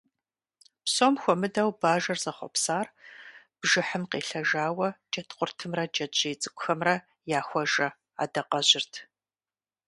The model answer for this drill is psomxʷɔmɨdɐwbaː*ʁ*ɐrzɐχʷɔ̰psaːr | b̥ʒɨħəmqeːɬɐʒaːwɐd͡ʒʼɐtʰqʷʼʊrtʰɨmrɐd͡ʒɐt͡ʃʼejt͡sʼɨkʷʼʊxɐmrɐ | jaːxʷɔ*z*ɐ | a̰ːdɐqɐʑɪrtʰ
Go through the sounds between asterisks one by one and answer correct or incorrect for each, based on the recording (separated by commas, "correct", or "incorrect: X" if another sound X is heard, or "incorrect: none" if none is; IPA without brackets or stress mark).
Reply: incorrect: ʒ, incorrect: ʒ